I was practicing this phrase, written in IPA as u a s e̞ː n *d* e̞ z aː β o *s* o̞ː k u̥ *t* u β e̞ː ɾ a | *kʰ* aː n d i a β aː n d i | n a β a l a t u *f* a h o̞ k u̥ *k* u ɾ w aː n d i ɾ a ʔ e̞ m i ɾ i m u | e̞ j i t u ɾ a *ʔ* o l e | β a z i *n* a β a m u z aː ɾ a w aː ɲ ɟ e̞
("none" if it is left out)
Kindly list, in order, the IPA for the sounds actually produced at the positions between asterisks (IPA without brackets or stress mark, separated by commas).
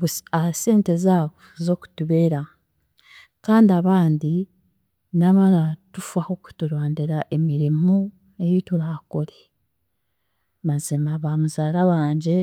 t, z, t, k, f, t, k, m